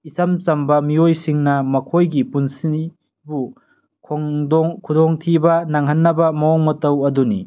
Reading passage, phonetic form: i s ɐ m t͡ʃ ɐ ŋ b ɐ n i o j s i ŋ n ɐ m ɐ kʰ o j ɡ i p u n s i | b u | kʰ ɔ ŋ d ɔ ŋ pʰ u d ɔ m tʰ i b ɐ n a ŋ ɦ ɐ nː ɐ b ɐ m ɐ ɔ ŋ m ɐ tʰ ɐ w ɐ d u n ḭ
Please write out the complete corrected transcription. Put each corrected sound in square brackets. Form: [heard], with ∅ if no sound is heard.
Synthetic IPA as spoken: i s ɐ m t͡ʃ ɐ [m] b ɐ [m] i o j s i ŋ n ɐ m ɐ kʰ o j ɡ i p u n s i | b u | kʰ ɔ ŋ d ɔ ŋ [kʰ] u d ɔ [ŋ] tʰ i b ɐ n a ŋ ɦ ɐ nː ɐ b ɐ m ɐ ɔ ŋ m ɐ [t] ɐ w ɐ d u n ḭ